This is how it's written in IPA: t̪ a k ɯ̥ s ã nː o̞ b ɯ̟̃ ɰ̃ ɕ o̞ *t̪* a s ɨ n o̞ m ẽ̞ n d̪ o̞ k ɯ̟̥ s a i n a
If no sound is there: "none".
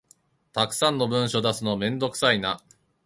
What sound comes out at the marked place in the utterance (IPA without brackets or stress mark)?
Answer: d̪